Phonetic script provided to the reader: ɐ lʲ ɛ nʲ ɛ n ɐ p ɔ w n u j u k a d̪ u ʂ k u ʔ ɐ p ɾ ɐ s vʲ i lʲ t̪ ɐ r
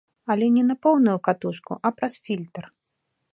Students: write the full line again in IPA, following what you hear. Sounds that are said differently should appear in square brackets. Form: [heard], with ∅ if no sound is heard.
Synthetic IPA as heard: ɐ lʲ ɛ nʲ ɛ n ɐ p ɔ w n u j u k a [t̪] u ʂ k u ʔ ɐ p ɾ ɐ s [fʲ] i lʲ t̪ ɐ r